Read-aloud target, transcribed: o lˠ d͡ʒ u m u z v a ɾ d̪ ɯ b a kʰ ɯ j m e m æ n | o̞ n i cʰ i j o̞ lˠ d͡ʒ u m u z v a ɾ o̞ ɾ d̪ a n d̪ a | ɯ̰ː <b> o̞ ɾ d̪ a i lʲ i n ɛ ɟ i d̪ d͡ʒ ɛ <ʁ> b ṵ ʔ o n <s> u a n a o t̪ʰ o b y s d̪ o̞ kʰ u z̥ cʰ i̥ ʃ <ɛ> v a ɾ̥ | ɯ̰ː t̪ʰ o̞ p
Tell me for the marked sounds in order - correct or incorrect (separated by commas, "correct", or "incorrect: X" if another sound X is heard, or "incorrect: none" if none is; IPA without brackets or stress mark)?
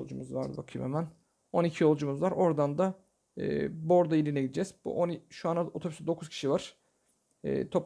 correct, incorrect: z, incorrect: ʃ, incorrect: i